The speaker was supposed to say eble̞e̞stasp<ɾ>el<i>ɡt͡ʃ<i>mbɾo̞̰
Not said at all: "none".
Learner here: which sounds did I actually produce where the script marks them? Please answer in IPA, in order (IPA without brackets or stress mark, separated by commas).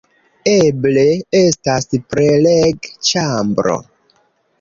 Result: ɾ, e, a